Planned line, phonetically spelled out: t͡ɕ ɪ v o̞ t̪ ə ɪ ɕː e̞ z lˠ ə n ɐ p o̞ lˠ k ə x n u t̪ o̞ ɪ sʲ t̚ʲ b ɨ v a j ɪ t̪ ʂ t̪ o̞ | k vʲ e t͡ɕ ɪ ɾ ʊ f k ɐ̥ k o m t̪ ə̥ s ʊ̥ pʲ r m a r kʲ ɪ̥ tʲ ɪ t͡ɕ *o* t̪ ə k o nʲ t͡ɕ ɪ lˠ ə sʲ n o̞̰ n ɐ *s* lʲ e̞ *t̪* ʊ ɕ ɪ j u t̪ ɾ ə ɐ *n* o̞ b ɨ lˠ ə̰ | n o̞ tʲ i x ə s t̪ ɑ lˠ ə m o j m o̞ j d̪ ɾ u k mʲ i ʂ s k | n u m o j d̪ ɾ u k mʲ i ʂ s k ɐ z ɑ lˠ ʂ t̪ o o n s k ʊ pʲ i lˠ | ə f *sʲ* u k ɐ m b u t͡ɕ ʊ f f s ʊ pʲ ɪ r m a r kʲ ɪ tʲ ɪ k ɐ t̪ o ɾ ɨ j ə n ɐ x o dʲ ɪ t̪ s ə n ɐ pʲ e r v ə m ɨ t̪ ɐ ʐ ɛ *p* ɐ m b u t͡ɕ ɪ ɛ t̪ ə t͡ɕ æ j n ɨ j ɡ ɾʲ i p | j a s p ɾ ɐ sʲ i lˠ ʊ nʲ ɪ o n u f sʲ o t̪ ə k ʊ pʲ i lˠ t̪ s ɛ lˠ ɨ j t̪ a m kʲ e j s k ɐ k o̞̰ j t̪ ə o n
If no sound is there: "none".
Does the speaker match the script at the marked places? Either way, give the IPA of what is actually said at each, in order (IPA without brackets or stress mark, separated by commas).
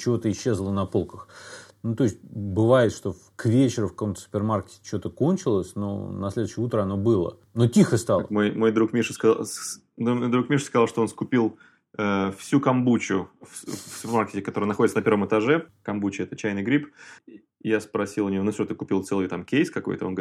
o, s, d̪, n, sʲ, k